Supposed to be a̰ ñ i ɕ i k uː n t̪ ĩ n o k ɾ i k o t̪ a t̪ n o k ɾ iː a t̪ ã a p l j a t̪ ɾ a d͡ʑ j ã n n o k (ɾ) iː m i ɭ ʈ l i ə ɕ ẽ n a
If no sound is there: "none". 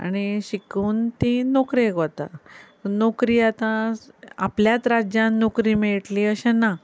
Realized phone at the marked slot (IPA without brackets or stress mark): ɾ